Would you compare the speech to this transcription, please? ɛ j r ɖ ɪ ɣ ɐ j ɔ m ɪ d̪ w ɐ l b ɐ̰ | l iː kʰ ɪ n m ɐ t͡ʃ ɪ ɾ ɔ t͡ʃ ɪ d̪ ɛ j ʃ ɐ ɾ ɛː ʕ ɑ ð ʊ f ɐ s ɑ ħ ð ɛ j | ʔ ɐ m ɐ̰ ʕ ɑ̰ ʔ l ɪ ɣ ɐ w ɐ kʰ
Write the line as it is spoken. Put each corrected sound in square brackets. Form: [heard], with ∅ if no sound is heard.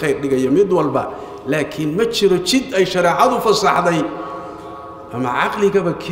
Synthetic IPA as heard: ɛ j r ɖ ɪ ɣ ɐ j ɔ m ɪ d̪ w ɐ l b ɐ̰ | l [aː] kʰ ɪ n m ɐ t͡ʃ ɪ ɾ ɔ t͡ʃ ɪ d̪ ɛ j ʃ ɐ ɾ ɛː ʕ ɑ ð ʊ f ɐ s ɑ ħ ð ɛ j | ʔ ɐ m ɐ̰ ʕ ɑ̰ [q] l ɪ ɣ ɐ [β] ɐ kʰ

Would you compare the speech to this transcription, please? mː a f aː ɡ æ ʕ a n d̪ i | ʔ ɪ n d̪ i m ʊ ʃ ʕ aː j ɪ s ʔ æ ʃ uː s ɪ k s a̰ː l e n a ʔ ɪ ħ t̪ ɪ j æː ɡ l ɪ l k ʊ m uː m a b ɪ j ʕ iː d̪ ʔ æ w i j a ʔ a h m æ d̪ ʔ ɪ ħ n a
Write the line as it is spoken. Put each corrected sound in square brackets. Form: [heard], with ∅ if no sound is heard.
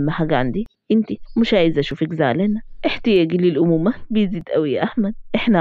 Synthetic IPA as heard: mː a [ħ] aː ɡ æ ʕ a n d̪ i | ʔ ɪ n [t̪] i m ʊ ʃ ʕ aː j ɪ [z] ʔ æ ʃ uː [f] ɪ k [z] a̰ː l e n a ʔ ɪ ħ t̪ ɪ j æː ɡ l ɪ l [ʔ] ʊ m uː m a b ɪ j [z] iː d̪ ʔ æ w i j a ʔ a h m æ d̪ ʔ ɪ ħ n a

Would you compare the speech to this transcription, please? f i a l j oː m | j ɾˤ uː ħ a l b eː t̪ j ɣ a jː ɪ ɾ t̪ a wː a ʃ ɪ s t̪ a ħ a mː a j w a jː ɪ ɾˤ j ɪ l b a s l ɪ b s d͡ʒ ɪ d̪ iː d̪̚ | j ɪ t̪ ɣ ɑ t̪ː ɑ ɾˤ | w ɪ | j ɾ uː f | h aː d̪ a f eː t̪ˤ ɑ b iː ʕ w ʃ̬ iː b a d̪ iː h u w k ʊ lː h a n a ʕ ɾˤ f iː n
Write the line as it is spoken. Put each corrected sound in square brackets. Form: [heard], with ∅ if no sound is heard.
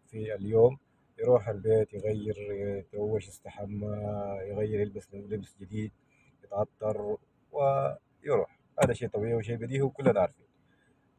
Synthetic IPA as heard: f i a l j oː m | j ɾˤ uː ħ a l b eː t̪ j ɣ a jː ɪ ɾ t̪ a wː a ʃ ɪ s t̪ a ħ a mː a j [ɣ] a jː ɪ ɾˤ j ɪ l b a s l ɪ b s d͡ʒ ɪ d̪ iː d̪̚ | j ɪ t̪ ɣ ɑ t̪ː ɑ ɾˤ | w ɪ | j ɾ uː [ħ] | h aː d̪ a [ʃ] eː t̪ˤ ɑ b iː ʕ w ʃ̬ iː b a d̪ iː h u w k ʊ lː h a n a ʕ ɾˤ f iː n

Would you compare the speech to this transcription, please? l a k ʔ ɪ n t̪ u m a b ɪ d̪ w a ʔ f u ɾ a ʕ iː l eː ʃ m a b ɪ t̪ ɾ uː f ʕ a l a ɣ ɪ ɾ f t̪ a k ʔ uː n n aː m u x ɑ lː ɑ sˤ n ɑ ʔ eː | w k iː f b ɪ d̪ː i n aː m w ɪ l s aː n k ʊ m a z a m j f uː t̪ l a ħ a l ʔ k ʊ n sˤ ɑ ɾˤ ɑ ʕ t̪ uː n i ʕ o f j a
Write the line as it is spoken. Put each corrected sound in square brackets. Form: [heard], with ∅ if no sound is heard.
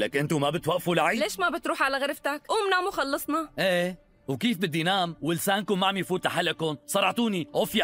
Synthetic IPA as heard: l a k ʔ ɪ n t̪ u m a b ɪ [t̪] w a ʔ f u [l] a ʕ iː l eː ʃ m a b ɪ t̪ ɾ uː [ħ] ʕ a l a ɣ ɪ ɾ f t̪ a k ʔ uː [m] n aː m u x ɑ lː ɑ sˤ n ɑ ʔ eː | w k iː f b ɪ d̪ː i n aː m w ɪ l s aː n k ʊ m a [ʕ] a m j f uː t̪ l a ħ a l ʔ k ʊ n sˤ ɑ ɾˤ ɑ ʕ t̪ uː n i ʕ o f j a

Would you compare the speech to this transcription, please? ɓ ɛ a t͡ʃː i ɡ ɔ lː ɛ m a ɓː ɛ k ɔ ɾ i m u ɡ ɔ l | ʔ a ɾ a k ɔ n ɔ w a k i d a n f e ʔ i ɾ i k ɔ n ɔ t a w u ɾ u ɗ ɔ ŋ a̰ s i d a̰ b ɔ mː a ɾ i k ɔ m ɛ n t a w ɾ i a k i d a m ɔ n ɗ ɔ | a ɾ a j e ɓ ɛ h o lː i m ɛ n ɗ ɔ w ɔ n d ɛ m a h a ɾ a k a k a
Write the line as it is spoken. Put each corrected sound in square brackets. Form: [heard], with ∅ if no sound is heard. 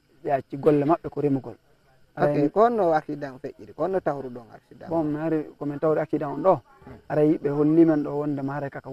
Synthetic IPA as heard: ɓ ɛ a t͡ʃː i ɡ ɔ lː ɛ m a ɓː ɛ k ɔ ɾ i m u ɡ ɔ l | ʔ a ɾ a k ɔ n ɔ w a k i d a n f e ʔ i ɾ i k ɔ n ɔ t a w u ɾ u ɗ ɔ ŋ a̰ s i d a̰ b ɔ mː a ɾ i k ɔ m ɛ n t a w ɾ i a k i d a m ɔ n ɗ ɔ | a ɾ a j [i] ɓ ɛ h o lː i m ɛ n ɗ ɔ w ɔ n d ɛ m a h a ɾ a k a k a

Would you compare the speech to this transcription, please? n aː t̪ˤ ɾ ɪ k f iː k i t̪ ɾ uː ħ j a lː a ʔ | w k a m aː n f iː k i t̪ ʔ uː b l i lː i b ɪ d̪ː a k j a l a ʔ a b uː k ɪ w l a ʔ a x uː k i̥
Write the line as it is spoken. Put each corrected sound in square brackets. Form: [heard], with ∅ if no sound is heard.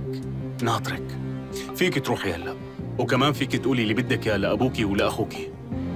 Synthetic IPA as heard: n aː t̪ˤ ɾ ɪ k f iː k i t̪ ɾ uː ħ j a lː a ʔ | w k a m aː n f iː k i t̪ ʔ uː [∅] l i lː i b ɪ d̪ː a k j a l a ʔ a b uː k [i] w l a ʔ a x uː k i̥

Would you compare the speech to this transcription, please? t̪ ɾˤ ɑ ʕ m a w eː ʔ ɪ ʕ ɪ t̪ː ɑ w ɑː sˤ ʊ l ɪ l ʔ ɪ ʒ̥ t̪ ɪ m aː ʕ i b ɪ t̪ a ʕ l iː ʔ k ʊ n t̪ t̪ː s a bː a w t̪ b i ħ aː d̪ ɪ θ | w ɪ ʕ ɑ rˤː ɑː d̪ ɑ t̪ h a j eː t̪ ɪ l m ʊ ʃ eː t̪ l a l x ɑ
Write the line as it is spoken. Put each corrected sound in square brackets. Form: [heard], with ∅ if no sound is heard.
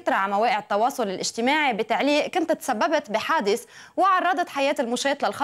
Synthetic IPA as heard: t̪ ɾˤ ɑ ʕ m a w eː ʔ ɪ ʕ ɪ t̪ː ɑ w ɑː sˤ ʊ l ɪ l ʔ ɪ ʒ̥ t̪ ɪ m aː ʕ i b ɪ t̪ a ʕ l iː ʔ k ʊ n t̪ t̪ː s a bː a [b] t̪ b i ħ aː d̪ ɪ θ | w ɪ ʕ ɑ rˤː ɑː d̪ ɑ t̪ [ħ] a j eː t̪ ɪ l m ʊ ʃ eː t̪ l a l x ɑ

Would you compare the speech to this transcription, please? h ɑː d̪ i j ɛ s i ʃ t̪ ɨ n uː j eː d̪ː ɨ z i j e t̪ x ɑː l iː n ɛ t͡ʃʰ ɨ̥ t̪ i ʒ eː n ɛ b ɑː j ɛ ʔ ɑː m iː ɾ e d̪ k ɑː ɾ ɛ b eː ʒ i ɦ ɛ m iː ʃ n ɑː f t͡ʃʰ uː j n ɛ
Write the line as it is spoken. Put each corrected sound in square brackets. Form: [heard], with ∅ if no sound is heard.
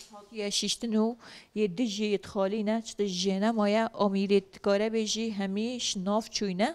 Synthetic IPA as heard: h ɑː [t̪] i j ɛ [ʃ] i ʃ t̪ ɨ n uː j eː [d̪] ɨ [ʒ] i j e t̪ x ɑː l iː n ɛ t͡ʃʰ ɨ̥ t̪ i ʒ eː n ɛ [m] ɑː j ɛ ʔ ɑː m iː ɾ e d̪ k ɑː ɾ ɛ b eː ʒ i ɦ ɛ m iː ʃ n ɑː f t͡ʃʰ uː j n ɛ

